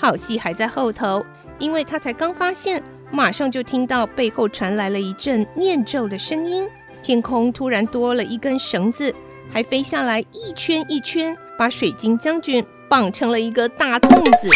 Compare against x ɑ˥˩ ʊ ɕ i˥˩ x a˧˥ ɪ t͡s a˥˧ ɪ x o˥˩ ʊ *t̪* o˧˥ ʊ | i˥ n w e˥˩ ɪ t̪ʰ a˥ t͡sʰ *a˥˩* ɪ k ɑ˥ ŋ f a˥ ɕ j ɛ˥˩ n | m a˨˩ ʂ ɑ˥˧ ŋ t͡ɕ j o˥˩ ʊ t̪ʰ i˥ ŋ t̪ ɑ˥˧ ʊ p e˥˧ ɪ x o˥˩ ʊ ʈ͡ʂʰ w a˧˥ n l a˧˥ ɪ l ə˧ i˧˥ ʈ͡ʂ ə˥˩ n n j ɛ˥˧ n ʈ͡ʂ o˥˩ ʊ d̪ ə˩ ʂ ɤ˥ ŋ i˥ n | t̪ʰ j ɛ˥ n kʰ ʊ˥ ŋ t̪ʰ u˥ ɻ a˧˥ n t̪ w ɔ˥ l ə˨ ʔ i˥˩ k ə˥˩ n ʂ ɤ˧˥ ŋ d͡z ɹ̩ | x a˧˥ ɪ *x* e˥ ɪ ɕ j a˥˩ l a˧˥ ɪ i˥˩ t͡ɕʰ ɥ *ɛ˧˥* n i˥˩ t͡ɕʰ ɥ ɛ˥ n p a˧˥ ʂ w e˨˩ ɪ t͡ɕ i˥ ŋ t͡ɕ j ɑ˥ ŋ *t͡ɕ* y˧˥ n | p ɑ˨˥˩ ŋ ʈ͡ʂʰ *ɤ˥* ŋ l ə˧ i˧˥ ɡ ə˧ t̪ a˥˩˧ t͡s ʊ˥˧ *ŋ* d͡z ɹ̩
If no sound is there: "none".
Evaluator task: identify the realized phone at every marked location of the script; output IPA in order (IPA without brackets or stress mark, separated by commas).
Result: t̪ʰ, a˧˥, f, ɛ˥, t͡ɕ, ɤ˧˥, ŋ